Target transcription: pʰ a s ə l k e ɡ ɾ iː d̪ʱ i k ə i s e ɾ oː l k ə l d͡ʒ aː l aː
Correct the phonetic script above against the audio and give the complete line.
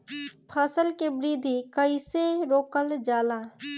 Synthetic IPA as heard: pʰ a s ə l k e b ɾ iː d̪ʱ i k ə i s e ɾ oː k ə l d͡ʒ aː l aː